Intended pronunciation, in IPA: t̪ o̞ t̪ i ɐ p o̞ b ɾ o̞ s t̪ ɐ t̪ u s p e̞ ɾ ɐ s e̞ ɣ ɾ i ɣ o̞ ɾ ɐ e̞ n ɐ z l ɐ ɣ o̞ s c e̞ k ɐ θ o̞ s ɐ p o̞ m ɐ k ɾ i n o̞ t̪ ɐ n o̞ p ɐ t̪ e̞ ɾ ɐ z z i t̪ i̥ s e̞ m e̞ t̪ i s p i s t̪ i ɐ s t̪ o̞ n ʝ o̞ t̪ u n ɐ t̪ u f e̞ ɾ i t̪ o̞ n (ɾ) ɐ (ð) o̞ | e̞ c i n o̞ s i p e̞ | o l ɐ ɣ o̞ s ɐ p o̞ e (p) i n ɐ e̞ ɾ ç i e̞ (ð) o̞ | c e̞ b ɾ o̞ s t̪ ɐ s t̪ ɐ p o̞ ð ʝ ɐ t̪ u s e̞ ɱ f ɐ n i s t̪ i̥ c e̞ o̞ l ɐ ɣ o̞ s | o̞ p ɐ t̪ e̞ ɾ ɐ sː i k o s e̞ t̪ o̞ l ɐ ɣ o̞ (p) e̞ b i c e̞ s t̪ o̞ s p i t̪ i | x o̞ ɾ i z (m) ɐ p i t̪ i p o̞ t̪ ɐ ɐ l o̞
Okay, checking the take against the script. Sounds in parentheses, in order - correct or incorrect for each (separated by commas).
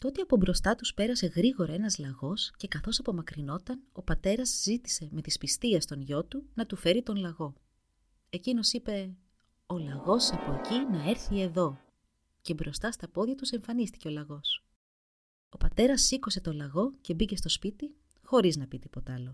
incorrect, incorrect, incorrect, correct, incorrect, incorrect